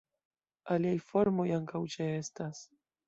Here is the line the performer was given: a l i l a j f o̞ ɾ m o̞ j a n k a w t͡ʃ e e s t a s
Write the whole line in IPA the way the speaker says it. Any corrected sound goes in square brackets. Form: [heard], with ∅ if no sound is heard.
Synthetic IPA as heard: a l i [∅] a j f o̞ ɾ m o̞ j a [ŋ] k a w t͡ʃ e e s t a s